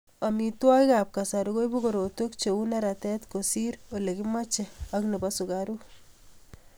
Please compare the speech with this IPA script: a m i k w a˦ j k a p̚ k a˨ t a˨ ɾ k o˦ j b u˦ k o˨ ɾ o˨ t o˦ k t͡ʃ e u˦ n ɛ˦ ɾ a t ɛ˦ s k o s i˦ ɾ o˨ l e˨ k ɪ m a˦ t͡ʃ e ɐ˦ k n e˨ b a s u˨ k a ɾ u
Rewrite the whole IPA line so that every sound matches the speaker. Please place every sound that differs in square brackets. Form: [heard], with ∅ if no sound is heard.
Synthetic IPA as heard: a m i [t] w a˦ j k a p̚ k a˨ [s] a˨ ɾ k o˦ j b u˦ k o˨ ɾ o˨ t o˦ k t͡ʃ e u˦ n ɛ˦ ɾ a t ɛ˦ [t] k o s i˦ ɾ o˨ l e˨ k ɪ m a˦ t͡ʃ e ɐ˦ k n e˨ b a s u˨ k a ɾ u

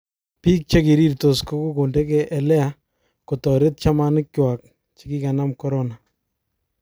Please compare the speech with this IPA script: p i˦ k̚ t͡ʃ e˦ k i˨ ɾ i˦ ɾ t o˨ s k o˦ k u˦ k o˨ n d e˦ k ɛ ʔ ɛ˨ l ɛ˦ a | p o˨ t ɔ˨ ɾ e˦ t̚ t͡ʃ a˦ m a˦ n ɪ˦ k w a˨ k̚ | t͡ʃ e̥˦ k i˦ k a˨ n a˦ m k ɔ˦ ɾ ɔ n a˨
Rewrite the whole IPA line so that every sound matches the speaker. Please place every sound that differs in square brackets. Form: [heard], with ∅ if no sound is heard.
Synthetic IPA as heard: p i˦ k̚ t͡ʃ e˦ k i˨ ɾ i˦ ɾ t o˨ s k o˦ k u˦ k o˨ n d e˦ k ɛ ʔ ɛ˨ l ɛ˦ a | [k] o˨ t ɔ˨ ɾ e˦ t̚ t͡ʃ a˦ m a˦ n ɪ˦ k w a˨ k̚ | t͡ʃ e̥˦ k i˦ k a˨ n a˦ m k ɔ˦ ɾ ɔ n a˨

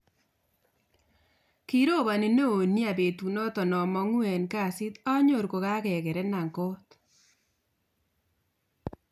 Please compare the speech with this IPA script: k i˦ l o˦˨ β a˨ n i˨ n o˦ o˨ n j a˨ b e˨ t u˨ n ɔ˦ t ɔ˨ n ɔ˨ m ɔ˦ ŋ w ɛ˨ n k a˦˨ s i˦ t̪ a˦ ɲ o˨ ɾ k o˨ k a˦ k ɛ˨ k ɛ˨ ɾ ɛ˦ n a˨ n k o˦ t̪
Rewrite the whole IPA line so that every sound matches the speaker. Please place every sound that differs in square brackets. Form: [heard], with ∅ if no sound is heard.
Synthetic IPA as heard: k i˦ [ɾ] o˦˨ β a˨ n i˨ n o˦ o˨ n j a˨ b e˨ t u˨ n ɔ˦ t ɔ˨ n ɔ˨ m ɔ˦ ŋ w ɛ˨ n k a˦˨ s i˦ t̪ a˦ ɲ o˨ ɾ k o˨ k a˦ k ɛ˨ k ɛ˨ ɾ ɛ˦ n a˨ [ŋ] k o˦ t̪

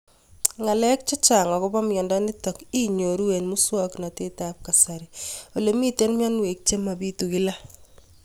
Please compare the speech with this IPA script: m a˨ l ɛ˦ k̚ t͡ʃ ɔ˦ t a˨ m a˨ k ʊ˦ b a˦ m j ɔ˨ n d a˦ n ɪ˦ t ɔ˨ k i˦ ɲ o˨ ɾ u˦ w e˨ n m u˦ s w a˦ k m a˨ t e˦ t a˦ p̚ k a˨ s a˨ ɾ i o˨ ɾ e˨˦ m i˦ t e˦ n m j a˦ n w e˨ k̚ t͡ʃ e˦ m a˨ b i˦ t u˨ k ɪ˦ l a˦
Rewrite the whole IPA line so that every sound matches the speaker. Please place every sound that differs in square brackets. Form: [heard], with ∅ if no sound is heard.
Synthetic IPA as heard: [ŋ] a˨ l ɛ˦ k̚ t͡ʃ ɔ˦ [t͡ʃ] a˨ [ŋ] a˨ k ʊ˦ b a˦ m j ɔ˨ n d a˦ n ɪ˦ t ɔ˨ k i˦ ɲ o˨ ɾ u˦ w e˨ n m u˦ s w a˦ k [n] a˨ t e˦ t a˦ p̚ k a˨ s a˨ ɾ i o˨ [l] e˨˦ m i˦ t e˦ n m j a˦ n w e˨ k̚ t͡ʃ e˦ m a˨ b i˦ t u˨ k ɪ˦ l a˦

